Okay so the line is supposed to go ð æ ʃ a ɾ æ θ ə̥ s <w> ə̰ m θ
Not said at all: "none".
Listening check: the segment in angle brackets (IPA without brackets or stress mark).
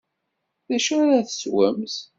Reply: w